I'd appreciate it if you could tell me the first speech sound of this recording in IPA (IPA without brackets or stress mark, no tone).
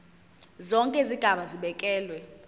z